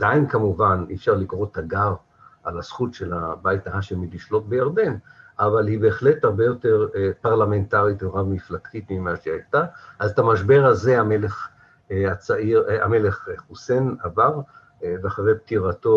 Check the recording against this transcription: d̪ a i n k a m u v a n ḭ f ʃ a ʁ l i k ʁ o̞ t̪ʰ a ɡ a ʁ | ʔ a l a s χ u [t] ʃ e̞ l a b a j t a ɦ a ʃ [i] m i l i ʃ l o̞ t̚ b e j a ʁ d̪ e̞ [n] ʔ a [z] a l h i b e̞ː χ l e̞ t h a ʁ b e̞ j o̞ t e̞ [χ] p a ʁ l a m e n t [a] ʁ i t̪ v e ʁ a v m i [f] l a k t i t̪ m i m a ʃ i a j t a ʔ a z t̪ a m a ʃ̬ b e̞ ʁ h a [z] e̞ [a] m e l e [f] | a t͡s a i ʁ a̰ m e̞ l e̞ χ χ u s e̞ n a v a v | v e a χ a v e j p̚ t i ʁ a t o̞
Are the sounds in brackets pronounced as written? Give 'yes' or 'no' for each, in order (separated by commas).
yes, no, yes, no, no, yes, yes, yes, yes, no